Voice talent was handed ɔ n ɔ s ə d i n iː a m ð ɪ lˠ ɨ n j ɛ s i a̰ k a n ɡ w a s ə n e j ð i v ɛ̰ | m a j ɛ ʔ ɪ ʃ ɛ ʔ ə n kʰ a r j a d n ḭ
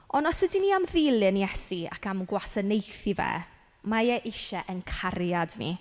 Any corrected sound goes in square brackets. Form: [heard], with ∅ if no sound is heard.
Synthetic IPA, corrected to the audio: ɔ n ɔ s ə d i n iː a m ð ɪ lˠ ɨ n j ɛ s i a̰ k a [m] ɡ w a s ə n e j [θ] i v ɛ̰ | m a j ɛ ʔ ɪ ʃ ɛ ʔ ə n kʰ a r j a d n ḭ